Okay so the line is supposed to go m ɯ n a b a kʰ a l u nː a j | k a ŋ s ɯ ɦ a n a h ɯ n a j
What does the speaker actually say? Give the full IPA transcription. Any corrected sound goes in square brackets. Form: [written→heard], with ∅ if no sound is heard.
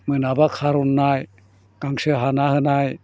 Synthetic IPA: m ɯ n a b a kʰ a [l→ɾ] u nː a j | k a ŋ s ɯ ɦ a n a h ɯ n a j